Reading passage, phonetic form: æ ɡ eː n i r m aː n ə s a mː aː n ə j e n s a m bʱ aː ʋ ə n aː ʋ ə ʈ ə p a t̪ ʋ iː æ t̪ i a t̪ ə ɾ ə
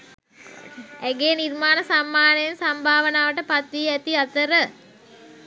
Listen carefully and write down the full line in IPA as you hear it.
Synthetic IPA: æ ɡ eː n i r m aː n ə s a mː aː n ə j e n s a m bʱ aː ʋ ə n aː ʋ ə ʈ ə p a t̪ ʋ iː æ t̪ i a t̪ ə ɾ ə